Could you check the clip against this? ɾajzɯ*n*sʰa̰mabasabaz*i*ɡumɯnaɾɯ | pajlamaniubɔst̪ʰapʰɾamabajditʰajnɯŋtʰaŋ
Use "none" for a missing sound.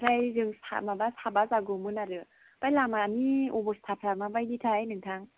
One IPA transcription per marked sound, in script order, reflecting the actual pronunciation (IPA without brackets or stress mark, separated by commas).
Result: ŋ, a